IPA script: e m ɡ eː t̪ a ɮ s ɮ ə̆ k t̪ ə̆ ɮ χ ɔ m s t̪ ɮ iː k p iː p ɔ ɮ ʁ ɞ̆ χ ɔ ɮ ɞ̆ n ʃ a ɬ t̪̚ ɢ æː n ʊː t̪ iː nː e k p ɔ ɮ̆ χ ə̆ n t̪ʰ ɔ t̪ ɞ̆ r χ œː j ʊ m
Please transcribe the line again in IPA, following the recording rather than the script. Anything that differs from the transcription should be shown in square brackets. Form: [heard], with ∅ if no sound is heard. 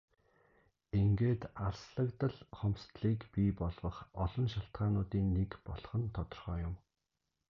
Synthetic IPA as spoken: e [ŋ] ɡ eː t̪ a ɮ s ɮ ə̆ k t̪ ə̆ ɮ χ ɔ m s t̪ ɮ iː k p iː p ɔ ɮ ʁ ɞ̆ χ ɔ ɮ ɞ̆ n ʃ a ɬ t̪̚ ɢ [aː] n ʊː t̪ iː nː e k p ɔ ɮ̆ χ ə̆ n t̪ʰ ɔ t̪ ɞ̆ r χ œː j ʊ m